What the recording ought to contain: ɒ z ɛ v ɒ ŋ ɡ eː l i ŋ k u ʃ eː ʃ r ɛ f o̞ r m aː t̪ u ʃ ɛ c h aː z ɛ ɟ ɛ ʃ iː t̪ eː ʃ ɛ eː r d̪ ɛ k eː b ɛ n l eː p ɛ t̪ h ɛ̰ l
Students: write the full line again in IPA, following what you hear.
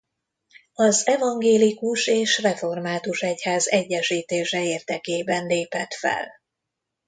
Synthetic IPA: ɒ z ɛ v ɒ ŋ ɡ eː l i k u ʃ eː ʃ r ɛ f o̞ r m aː t̪ u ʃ ɛ c h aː z ɛ ɟː ɛ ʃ iː t̪ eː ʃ ɛ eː r d̪ ɛ k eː b ɛ n l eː p ɛ t̪ f ɛ̰ l